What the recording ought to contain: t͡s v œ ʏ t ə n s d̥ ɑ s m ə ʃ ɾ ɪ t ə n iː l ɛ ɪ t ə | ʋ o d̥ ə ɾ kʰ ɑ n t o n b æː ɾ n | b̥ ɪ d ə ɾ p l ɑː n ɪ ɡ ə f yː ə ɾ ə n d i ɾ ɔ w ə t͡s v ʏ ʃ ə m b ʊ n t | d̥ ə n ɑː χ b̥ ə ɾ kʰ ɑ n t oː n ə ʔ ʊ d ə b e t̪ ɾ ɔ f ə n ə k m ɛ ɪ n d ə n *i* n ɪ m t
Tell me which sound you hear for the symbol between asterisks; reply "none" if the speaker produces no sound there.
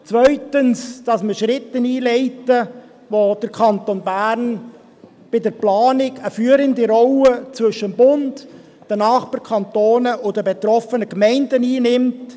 iː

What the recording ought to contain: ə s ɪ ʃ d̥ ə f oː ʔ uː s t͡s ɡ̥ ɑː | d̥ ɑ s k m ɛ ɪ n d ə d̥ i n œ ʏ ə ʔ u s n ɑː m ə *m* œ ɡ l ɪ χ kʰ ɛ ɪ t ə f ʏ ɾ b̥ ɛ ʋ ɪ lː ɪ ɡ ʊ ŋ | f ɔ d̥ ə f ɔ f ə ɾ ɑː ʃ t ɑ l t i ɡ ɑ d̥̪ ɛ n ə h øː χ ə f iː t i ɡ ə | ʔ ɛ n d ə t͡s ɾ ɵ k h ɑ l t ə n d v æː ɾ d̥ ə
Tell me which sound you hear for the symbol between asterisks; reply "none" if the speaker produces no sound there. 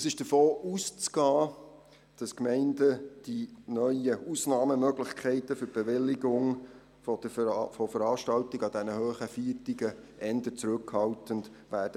m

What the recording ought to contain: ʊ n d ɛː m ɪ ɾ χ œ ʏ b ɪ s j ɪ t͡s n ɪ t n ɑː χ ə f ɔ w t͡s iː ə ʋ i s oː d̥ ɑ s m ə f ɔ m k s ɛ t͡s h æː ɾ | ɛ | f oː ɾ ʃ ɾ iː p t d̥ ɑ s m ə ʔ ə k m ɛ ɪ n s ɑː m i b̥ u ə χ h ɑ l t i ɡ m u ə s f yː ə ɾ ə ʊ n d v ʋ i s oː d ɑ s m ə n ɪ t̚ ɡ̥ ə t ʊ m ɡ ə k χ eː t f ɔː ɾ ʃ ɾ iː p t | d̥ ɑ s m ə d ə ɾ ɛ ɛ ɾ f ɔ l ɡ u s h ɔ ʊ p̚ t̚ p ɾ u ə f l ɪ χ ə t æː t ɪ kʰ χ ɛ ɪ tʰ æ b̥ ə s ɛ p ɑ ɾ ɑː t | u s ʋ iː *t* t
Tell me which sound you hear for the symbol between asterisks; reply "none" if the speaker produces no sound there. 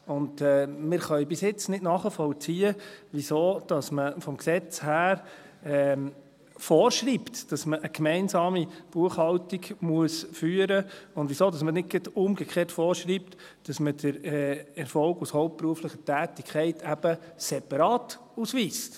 s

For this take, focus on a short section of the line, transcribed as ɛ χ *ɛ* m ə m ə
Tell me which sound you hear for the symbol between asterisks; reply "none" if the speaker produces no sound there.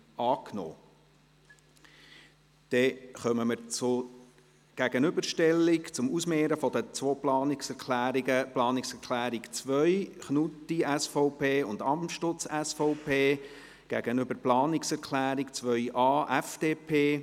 œ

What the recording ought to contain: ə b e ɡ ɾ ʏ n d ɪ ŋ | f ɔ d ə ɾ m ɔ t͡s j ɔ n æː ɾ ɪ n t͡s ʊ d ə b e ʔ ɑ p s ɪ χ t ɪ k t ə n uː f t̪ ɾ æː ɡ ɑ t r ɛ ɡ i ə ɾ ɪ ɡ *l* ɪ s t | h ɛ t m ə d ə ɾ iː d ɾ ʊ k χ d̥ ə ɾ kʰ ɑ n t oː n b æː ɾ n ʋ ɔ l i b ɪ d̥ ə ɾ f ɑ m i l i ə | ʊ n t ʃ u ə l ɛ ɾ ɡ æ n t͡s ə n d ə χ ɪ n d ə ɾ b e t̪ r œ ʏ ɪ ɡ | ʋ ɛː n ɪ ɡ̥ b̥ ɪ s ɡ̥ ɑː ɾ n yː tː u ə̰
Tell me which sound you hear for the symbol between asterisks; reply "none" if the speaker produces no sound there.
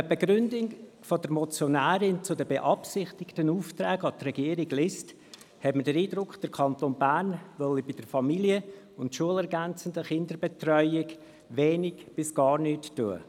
l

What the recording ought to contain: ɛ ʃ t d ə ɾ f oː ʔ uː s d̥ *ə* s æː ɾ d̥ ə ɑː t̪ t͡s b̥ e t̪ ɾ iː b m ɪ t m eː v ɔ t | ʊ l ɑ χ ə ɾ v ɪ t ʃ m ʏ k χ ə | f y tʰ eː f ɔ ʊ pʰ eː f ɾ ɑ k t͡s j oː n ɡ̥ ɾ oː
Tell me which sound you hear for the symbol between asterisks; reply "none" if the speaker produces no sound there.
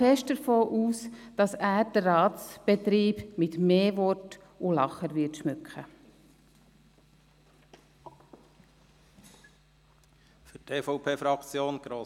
ɑ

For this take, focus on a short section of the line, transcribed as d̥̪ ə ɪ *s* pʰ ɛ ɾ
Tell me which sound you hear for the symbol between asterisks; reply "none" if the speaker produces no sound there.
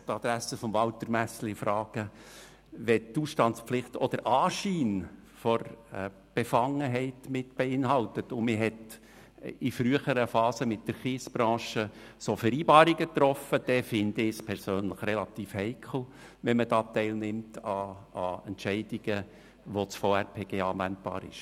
s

